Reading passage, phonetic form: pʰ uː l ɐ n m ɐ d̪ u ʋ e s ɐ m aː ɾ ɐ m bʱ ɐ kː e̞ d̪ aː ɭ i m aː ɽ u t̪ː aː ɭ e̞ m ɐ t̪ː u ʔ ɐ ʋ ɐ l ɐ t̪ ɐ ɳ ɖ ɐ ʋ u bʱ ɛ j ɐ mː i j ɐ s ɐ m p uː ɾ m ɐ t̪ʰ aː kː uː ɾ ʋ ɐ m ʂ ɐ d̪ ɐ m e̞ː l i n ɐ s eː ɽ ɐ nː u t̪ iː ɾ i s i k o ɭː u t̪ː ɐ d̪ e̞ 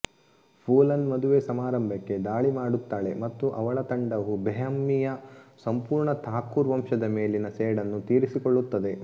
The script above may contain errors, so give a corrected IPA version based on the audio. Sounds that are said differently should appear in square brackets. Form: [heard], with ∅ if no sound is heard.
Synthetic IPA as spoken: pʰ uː l ɐ n m ɐ d̪ u ʋ e s ɐ m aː ɾ ɐ m bʱ ɐ kː e̞ d̪ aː ɭ i m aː ɽ u t̪ː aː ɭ e̞ m ɐ t̪ː u ʔ ɐ ʋ ɐ [ɭ] ɐ t̪ ɐ ɳ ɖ ɐ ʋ u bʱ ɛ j ɐ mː i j ɐ s ɐ m p uː ɾ [ɳ] ɐ t̪ʰ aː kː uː ɾ ʋ ɐ m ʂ ɐ d̪ ɐ m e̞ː l i n ɐ s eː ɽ ɐ nː u t̪ iː ɾ i s i k o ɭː u t̪ː ɐ d̪ e̞

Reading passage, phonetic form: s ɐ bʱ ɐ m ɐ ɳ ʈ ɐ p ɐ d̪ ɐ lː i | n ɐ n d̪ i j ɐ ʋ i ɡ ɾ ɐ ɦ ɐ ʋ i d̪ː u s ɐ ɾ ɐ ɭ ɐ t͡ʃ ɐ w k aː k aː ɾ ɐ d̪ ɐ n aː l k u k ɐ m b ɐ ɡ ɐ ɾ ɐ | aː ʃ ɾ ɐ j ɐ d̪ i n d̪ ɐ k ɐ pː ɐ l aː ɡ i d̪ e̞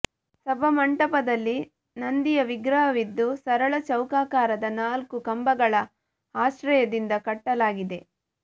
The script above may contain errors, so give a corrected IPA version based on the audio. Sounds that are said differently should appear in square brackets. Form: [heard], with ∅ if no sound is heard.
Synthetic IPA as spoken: s ɐ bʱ ɐ m ɐ ɳ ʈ ɐ p ɐ d̪ ɐ lː i | n ɐ n d̪ i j ɐ ʋ i ɡ ɾ ɐ ɦ ɐ ʋ i d̪ː u s ɐ ɾ ɐ ɭ ɐ t͡ʃ ɐ w k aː k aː ɾ ɐ d̪ ɐ n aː l k u k ɐ m b ɐ ɡ ɐ [ɭ] ɐ | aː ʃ ɾ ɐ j ɐ d̪ i n d̪ ɐ k ɐ [ʈː] ɐ l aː ɡ i d̪ e̞

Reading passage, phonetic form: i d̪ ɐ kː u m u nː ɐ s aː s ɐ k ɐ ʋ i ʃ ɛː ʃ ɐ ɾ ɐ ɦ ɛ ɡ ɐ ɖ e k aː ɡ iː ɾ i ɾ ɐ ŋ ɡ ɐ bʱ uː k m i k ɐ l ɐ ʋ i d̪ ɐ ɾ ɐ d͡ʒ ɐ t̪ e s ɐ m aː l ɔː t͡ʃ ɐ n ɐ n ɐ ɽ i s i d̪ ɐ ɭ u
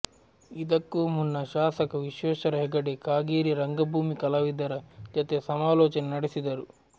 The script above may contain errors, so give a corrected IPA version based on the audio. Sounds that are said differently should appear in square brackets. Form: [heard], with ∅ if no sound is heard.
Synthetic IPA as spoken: i d̪ ɐ kː u m u nː ɐ [ʃ] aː s ɐ k ɐ ʋ i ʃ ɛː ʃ ɐ ɾ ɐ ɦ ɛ ɡ ɐ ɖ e k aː ɡ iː ɾ i ɾ ɐ ŋ ɡ ɐ bʱ uː [∅] m i k ɐ l ɐ ʋ i d̪ ɐ ɾ ɐ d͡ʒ ɐ t̪ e s ɐ m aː l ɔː t͡ʃ ɐ n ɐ n ɐ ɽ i s i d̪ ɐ [ɾ] u

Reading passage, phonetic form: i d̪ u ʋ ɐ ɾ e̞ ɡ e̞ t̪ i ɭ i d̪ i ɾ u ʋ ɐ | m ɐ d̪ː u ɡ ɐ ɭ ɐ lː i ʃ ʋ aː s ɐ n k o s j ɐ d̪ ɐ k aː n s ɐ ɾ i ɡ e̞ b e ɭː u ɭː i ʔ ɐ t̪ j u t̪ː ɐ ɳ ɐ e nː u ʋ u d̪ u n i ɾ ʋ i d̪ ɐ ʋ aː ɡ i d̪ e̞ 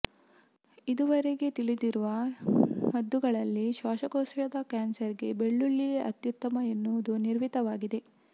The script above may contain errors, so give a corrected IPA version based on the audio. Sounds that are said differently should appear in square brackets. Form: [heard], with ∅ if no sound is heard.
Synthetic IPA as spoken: i d̪ u ʋ ɐ ɾ e̞ ɡ e̞ t̪ i ɭ i d̪ i ɾ u ʋ ɐ | m ɐ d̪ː u ɡ ɐ ɭ ɐ lː i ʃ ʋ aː [ʃ] ɐ [∅] k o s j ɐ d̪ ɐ k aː n s ɐ ɾ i ɡ e̞ b e ɭː u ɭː i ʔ ɐ t̪ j u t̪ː ɐ [m] ɐ e nː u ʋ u d̪ u n i ɾ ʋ i [t̪] ɐ ʋ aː ɡ i d̪ e̞

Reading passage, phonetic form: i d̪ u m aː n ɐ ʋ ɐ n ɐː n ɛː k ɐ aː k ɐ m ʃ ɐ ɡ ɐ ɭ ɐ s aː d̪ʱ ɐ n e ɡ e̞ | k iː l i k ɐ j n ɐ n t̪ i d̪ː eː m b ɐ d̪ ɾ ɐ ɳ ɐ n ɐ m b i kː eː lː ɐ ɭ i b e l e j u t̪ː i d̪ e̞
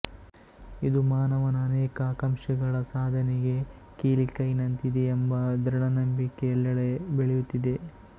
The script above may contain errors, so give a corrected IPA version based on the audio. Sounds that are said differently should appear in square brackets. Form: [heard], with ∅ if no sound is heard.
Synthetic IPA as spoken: i d̪ u m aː n ɐ ʋ ɐ n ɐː n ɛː k ɐ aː k ɐ m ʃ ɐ ɡ ɐ ɭ ɐ s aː d̪ʱ ɐ n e ɡ e̞ | k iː l i k ɐ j n ɐ n t̪ i [d̪] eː m b ɐ d̪ ɾ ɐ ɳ ɐ n ɐ m b i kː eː lː ɐ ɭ [e] b e [ɭ] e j u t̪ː i d̪ e̞

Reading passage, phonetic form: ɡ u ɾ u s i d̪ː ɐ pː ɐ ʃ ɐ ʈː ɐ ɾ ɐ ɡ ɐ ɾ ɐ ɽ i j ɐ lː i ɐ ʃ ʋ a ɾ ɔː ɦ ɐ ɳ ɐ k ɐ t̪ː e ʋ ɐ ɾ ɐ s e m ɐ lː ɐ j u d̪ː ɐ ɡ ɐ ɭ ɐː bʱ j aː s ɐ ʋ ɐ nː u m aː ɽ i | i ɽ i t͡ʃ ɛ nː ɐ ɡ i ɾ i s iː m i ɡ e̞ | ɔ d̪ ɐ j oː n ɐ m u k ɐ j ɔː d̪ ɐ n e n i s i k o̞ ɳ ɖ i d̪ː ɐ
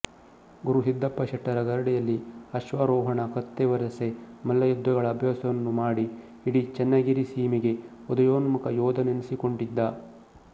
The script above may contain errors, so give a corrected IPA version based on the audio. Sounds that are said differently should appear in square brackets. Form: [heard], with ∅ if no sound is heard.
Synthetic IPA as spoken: ɡ u ɾ u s i d̪ː ɐ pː ɐ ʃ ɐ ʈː ɐ ɾ ɐ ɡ ɐ ɾ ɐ ɽ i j ɐ lː i ɐ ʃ ʋ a ɾ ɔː ɦ ɐ ɳ ɐ k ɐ t̪ː e ʋ ɐ ɾ ɐ s e m ɐ lː ɐ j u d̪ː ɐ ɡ ɐ ɭ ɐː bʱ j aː s ɐ ʋ ɐ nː u m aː ɽ i | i ɽ i t͡ʃ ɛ nː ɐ ɡ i ɾ i s iː m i ɡ e̞ | ɔ d̪ ɐ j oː n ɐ m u k ɐ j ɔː d̪ ɐ n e n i s i k o̞ ɳ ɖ i d̪ː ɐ

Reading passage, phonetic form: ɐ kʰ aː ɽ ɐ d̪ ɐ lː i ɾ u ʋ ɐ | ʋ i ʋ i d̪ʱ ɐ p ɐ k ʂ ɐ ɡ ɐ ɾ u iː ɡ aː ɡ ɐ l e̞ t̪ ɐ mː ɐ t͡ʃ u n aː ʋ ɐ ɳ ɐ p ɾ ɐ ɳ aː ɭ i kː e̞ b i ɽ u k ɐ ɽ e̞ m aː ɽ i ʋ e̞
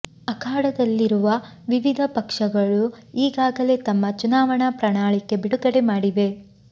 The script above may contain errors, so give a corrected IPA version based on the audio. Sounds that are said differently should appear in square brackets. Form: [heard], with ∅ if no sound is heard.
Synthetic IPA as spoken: ɐ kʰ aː ɽ ɐ d̪ ɐ lː i ɾ u ʋ ɐ | ʋ i ʋ i d̪ʱ ɐ p ɐ k ʂ ɐ ɡ ɐ [ɭ] u iː ɡ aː ɡ ɐ l e̞ t̪ ɐ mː ɐ t͡ʃ u n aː ʋ ɐ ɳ ɐ p ɾ ɐ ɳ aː ɭ i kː e̞ b i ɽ u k ɐ ɽ e̞ m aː ɽ i ʋ e̞

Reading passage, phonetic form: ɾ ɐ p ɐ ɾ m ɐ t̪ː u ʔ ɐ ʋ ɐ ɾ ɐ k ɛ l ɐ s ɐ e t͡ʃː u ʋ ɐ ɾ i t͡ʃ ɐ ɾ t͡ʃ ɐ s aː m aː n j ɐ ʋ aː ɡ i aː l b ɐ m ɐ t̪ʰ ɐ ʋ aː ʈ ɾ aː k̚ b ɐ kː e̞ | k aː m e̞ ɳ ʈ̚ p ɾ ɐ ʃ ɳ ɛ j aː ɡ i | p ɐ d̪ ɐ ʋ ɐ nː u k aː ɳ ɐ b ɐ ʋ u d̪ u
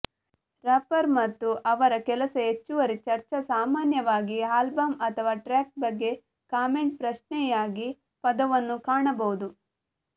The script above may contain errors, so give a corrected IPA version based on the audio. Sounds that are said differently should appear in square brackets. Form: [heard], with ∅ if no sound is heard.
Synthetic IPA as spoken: ɾ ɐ p ɐ ɾ m ɐ t̪ː u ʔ ɐ ʋ ɐ ɾ ɐ k ɛ l ɐ s ɐ e t͡ʃː u ʋ ɐ ɾ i t͡ʃ ɐ ɾ t͡ʃ ɐ s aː m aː n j ɐ ʋ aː ɡ i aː l b ɐ m ɐ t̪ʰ ɐ ʋ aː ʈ ɾ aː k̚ b ɐ [ɡː] e̞ | k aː m e̞ ɳ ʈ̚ p ɾ ɐ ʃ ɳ ɛ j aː ɡ i | p ɐ d̪ ɐ ʋ ɐ nː u k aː ɳ ɐ b ɐ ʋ u d̪ u

